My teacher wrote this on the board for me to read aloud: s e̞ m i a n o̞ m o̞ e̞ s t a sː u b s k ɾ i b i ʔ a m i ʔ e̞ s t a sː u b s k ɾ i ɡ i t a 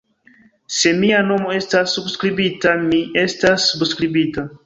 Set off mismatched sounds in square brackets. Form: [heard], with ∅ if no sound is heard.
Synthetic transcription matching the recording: s e̞ m i a n o̞ m o̞ e̞ s t a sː u b s k ɾ i b i [t] a m i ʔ e̞ s t a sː u b s k ɾ i [b] i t a